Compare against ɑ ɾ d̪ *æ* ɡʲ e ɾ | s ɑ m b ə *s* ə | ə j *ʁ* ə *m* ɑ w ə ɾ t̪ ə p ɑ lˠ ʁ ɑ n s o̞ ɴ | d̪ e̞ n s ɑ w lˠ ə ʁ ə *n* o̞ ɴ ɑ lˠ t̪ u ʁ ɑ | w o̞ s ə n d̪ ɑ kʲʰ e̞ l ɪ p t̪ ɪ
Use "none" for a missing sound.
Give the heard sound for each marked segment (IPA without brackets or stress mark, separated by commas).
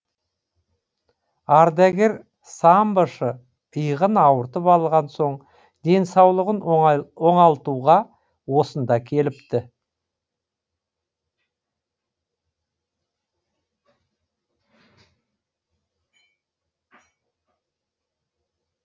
æ, ʃ, ʁ, n, n